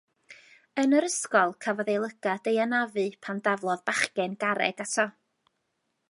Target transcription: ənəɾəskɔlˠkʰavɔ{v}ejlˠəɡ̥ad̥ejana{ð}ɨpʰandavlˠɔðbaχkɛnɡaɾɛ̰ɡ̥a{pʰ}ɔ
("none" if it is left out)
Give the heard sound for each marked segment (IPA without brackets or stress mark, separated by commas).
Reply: ð, v, tʰ